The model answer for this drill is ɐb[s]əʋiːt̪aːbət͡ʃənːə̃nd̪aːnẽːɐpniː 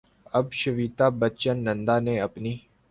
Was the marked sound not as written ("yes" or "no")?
yes